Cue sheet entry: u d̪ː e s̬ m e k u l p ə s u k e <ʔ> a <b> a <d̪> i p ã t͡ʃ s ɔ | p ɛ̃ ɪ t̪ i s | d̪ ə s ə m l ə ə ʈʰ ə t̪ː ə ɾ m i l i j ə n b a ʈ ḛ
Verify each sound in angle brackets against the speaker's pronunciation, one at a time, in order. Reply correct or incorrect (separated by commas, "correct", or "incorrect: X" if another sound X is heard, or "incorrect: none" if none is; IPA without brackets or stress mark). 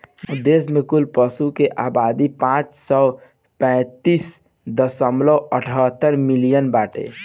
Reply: correct, correct, correct